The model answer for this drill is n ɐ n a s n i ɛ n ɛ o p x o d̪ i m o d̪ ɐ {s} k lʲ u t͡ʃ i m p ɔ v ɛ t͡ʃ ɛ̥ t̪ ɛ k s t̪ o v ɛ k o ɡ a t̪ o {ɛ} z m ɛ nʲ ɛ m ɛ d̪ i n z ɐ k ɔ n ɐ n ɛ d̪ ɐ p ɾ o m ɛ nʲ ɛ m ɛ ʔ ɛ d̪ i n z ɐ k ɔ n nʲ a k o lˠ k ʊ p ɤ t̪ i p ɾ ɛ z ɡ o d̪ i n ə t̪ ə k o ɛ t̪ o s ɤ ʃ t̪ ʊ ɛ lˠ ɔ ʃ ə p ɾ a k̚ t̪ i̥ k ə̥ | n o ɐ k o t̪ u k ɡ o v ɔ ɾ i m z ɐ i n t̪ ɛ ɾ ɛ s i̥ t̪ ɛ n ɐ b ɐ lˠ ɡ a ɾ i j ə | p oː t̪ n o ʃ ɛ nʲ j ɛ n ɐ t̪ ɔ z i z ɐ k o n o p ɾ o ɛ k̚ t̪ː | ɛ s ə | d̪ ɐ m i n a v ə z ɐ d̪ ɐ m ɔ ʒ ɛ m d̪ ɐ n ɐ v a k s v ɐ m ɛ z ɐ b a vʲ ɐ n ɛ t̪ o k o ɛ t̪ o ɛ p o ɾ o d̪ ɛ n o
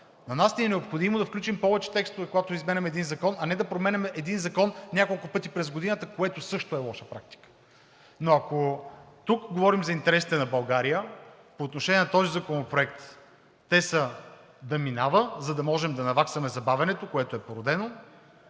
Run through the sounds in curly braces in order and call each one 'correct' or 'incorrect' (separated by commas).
incorrect, incorrect